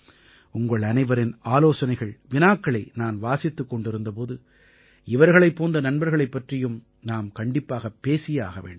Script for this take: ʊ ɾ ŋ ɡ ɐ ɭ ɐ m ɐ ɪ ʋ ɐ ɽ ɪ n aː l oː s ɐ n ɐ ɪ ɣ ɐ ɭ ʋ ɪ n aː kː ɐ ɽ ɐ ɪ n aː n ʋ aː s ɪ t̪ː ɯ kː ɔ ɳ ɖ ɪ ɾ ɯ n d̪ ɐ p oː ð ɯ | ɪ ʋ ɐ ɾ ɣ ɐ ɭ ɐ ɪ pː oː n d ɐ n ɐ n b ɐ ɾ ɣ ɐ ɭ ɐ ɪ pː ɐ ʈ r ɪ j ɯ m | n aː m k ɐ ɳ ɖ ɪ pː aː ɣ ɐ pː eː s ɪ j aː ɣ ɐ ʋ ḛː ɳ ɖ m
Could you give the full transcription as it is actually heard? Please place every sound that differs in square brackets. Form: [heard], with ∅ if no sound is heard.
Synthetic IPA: ʊ [∅] ŋ ɡ ɐ ɭ ɐ [n] ɐ ɪ ʋ ɐ [ɾ] ɪ n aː l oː s ɐ n ɐ ɪ ɣ ɐ ɭ ʋ ɪ n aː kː ɐ [ɭ] ɐ ɪ n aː n ʋ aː s ɪ t̪ː ɯ kː ɔ ɳ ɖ ɪ ɾ ɯ n d̪ ɐ p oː ð ɯ | ɪ ʋ ɐ ɾ ɣ ɐ ɭ ɐ ɪ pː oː n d ɐ n ɐ n b ɐ ɾ ɣ ɐ ɭ ɐ ɪ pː ɐ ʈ r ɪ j ɯ m | n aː m k ɐ ɳ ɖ ɪ pː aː ɣ ɐ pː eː s ɪ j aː ɣ ɐ ʋ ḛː ɳ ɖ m